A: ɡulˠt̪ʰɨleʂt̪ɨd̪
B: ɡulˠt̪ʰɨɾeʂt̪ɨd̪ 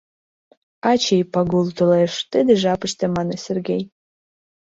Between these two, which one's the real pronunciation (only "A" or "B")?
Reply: A